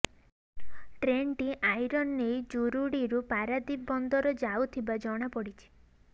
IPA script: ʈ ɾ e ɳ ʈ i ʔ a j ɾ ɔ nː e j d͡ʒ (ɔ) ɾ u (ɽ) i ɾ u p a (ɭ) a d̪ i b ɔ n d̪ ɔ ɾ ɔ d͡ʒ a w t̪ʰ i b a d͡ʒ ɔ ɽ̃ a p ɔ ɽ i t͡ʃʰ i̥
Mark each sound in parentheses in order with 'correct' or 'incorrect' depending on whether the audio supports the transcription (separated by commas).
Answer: incorrect, correct, incorrect